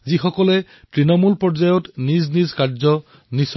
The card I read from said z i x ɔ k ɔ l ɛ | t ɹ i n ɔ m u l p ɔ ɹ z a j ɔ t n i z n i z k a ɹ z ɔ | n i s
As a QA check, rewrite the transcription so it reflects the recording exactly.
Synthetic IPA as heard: z i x ɔ k ɔ l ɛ | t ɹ i n ɔ m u l p ɔ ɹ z a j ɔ t n i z n i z k a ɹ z ɔ | n i s